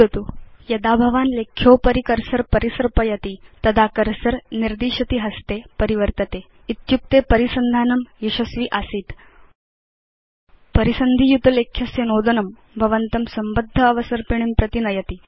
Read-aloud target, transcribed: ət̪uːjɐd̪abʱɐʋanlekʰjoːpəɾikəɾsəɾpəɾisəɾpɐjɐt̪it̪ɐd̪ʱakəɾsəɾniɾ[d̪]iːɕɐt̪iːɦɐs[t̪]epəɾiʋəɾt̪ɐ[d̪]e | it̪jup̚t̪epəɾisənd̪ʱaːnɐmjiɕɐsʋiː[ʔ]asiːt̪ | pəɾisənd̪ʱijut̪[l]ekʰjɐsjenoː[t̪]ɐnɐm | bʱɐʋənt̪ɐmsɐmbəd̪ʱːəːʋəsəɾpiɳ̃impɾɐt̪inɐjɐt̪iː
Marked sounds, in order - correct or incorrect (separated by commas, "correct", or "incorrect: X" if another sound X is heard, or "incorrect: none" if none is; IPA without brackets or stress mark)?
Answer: correct, correct, incorrect: t̪, correct, correct, incorrect: d̪